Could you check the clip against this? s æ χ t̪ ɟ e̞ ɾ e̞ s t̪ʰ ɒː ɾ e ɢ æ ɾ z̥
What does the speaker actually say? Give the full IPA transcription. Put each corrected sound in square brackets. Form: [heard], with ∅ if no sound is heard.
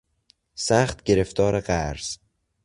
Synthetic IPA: s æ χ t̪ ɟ e̞ ɾ e̞ [f] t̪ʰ ɒː ɾ e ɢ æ ɾ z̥